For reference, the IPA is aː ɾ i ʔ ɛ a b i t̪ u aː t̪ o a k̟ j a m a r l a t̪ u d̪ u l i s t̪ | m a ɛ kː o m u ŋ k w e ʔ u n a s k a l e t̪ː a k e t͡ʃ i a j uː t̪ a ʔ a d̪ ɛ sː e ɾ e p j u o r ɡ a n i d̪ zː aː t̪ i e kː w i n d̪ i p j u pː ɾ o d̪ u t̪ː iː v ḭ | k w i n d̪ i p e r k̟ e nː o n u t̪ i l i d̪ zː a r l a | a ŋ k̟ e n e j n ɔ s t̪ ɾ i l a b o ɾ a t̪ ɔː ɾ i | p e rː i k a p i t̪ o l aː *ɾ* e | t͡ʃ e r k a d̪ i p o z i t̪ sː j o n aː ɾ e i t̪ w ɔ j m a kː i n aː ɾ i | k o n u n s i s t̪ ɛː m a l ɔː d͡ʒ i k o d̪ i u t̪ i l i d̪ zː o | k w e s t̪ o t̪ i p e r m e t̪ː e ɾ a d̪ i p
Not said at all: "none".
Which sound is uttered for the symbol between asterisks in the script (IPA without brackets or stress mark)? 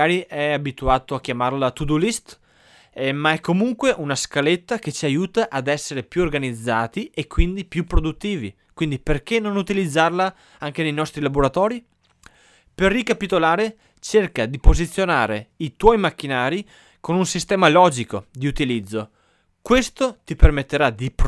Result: ɾ